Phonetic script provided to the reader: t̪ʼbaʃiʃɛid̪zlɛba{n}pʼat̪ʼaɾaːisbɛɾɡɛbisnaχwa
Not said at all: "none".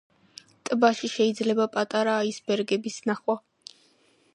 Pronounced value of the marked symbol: none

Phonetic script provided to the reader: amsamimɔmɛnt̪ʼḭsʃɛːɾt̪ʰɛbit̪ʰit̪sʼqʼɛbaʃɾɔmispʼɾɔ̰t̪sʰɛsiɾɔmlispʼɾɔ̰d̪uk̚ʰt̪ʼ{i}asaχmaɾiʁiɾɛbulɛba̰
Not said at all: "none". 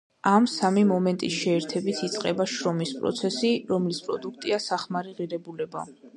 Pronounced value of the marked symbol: i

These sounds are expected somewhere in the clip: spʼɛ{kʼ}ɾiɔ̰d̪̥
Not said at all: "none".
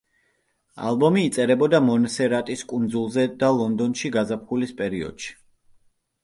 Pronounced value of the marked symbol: none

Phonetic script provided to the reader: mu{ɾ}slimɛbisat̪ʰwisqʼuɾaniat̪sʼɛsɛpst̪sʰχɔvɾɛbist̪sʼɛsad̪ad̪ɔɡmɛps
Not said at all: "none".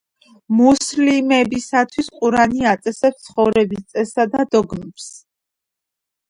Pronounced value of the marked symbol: none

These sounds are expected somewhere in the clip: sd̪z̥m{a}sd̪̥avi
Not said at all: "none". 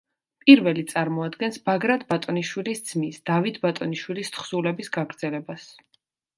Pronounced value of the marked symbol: i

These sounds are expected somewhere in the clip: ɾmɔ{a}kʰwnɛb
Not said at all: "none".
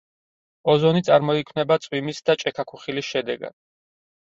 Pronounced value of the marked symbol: i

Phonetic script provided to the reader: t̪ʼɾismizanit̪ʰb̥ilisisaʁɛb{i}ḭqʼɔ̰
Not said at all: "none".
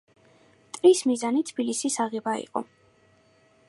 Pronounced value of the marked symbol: a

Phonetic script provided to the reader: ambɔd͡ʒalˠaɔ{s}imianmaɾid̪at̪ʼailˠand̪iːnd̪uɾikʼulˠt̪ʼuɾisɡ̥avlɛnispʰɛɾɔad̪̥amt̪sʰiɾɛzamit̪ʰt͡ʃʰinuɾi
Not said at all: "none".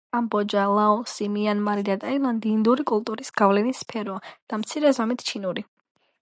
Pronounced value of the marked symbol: s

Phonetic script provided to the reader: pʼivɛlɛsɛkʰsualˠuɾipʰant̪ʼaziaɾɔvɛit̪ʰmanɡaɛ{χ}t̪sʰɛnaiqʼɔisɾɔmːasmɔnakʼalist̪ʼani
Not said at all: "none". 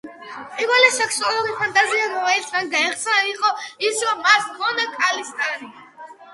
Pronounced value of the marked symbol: χ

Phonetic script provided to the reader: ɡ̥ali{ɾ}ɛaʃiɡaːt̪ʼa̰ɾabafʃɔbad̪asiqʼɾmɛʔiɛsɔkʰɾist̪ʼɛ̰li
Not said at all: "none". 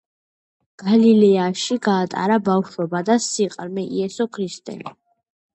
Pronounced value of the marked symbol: l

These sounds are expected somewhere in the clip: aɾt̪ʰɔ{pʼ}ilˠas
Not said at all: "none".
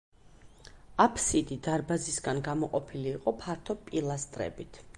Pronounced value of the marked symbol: pʼ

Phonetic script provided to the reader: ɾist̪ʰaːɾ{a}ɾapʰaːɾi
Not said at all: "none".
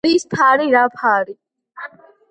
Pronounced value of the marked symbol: i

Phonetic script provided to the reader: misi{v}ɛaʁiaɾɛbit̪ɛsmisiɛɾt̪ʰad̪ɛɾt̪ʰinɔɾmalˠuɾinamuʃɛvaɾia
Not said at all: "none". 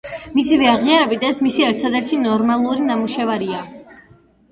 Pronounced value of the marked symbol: v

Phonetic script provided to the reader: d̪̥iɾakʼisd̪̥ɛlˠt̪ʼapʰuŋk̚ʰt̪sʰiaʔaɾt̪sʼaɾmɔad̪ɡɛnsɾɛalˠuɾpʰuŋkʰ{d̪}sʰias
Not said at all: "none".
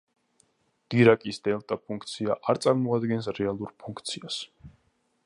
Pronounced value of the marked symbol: t̪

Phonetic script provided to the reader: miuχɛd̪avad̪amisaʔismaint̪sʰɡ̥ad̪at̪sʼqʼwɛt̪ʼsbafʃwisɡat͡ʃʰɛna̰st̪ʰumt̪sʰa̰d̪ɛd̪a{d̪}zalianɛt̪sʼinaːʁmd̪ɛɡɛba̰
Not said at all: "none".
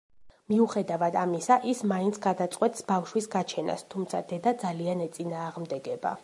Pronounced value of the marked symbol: d̪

